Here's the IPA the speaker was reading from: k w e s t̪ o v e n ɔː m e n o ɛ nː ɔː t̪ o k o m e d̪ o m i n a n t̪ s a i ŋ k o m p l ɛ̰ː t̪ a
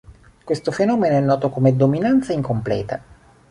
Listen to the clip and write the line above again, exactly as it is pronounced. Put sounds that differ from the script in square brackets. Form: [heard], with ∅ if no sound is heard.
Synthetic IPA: k w e s t̪ o [f] e n ɔː m e n o ɛ nː ɔː t̪ o k o m e d̪ o m i n a n t̪ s a i ŋ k o m p l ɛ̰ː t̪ a